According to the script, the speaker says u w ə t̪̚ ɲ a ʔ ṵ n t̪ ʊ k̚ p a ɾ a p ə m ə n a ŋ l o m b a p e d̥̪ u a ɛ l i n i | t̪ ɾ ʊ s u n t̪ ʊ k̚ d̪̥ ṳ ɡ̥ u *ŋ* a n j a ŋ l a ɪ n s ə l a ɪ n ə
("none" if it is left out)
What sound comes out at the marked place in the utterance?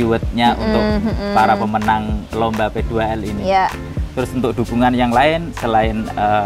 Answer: ŋ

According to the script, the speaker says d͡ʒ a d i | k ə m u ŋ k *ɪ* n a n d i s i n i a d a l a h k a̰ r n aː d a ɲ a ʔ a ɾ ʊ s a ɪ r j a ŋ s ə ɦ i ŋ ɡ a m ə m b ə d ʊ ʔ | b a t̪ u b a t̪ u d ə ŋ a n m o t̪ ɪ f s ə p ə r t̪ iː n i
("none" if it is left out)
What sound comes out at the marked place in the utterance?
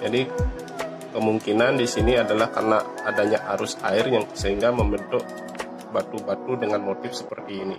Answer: i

